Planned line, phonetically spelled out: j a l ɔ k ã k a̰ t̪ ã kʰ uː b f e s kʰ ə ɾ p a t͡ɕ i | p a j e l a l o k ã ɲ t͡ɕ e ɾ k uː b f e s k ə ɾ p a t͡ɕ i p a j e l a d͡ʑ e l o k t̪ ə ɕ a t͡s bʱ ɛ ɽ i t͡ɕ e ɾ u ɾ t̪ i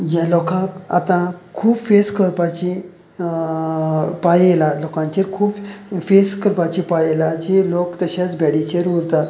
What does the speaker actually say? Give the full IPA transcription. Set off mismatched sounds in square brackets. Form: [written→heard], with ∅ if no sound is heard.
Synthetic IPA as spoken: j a l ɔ k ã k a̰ t̪ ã kʰ uː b f e s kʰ ə ɾ p a t͡ɕ i | p a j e l a l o k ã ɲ t͡ɕ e ɾ [k→kʰ] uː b f e s k ə ɾ p a t͡ɕ i p a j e l a d͡ʑ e l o k t̪ ə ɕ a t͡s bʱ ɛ ɽ i t͡ɕ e ɾ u ɾ t̪ [i→a]